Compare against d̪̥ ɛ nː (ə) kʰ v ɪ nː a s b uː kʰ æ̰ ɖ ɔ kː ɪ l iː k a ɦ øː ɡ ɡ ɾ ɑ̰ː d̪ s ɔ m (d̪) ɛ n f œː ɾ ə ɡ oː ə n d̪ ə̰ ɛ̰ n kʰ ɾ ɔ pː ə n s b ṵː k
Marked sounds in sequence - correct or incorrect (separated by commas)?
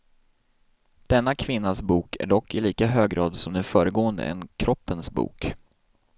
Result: incorrect, correct